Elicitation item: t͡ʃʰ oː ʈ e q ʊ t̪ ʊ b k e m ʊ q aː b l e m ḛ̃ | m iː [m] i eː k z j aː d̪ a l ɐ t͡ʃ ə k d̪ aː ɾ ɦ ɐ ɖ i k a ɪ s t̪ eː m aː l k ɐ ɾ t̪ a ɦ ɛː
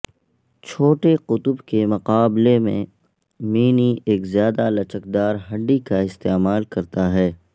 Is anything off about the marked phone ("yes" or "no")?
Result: yes